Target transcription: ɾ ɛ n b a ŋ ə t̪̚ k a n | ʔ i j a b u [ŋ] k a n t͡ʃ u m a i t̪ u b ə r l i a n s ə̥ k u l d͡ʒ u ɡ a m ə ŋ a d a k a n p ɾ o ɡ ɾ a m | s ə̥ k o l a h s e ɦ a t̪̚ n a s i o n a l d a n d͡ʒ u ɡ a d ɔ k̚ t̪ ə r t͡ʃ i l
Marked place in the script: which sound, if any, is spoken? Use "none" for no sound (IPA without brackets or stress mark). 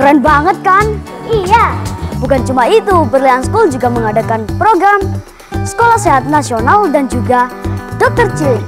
none